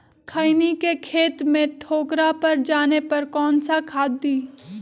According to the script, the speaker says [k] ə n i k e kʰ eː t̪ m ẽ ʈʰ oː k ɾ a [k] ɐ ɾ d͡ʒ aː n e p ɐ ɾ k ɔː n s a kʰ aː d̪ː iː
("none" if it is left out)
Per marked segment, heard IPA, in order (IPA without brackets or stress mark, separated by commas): kʰ, p